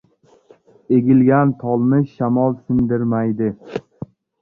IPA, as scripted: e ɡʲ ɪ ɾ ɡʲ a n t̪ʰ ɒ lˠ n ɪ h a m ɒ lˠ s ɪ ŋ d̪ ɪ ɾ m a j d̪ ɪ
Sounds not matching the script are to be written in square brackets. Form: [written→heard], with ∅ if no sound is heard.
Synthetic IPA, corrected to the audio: e ɡʲ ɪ [ɾ→l] ɡʲ a n t̪ʰ ɒ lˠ n ɪ [h→ʃ] a m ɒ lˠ s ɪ [ŋ→n] d̪ ɪ ɾ m a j d̪ ɪ